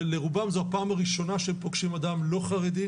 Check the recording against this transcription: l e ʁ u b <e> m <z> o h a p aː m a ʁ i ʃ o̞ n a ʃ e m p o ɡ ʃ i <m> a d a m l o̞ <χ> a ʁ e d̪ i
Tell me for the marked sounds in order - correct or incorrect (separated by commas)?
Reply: incorrect, correct, correct, correct